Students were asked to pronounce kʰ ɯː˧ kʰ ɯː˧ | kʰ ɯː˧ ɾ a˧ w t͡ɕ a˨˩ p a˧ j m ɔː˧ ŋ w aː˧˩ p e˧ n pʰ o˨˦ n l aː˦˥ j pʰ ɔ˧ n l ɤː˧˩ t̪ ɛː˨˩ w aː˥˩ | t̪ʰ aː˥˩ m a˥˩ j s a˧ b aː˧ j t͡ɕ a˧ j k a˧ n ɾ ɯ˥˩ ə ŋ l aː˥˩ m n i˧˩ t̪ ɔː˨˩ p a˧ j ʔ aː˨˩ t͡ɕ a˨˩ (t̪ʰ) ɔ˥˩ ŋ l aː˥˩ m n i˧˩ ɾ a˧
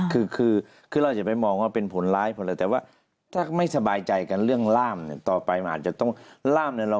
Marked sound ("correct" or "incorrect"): incorrect